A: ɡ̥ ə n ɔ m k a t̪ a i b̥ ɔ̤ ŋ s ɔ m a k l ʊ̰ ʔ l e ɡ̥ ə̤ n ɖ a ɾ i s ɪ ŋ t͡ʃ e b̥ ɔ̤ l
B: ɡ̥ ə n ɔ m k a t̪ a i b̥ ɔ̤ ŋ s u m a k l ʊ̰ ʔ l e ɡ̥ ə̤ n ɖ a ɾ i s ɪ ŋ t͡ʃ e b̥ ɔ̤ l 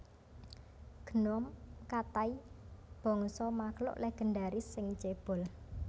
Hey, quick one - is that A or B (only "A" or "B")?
A